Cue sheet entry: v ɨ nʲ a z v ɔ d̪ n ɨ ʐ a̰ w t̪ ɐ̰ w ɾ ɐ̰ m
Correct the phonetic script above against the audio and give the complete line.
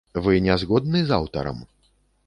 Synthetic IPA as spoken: v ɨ nʲ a z ɣ ɔ d̪ n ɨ z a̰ w t̪ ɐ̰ ɾ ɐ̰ m